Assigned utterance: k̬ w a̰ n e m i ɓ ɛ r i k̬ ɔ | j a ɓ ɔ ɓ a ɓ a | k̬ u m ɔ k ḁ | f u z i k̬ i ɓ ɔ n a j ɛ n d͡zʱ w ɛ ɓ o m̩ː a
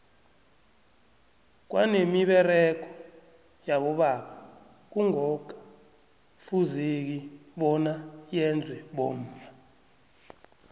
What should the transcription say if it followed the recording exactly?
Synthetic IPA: k̬ w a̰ n e m i ɓ ɛ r ɛ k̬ ɔ | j a ɓ ɔ ɓ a ɓ a | k̬ u ŋ ɔ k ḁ | f u z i k̬ i ɓ ɔ n a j ɛ n d͡zʱ w ɛ ɓ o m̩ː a